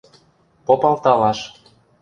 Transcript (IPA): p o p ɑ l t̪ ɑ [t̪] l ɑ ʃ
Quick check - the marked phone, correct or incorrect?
incorrect